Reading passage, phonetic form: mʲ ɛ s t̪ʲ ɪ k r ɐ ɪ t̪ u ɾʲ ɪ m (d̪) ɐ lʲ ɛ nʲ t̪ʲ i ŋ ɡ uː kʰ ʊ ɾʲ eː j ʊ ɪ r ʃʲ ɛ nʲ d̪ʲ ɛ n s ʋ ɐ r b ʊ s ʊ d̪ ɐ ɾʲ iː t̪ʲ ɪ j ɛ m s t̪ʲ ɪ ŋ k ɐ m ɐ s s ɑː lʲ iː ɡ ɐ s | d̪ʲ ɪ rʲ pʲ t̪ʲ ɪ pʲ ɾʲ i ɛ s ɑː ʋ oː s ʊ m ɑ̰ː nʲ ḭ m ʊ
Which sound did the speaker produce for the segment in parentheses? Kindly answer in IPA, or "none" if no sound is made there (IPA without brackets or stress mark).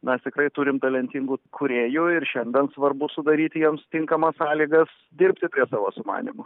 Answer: t̪